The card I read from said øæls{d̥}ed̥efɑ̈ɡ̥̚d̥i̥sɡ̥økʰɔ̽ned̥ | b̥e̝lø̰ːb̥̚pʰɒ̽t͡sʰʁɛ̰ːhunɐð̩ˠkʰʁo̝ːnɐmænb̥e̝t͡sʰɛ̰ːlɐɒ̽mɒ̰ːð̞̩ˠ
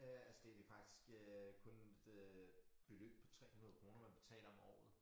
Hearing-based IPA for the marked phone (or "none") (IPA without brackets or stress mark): d̥